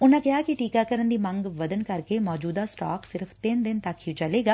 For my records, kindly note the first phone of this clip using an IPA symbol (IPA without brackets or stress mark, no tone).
ʊ